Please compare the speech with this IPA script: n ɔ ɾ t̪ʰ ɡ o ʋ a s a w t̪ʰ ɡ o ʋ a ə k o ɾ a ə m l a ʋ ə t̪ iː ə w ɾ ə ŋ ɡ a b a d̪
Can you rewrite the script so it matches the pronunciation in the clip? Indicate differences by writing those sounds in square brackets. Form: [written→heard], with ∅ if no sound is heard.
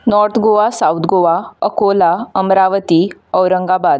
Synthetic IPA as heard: n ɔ ɾ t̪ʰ ɡ o ʋ a s a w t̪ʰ ɡ o ʋ a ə k o [ɾ→l] a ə m [l→ɾ] a ʋ ə t̪ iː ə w ɾ ə ŋ ɡ a b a d̪